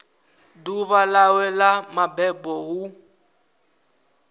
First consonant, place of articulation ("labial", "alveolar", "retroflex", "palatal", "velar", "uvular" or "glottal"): alveolar